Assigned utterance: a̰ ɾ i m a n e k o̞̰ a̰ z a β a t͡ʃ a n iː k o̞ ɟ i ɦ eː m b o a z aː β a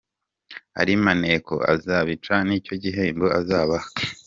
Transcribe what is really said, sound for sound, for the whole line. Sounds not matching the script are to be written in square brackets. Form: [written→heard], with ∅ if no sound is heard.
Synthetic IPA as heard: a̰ ɾ i m a n e k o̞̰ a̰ z a β [a→i] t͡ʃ a n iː [k→c] o̞ ɟ i ɦ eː m b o a z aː β a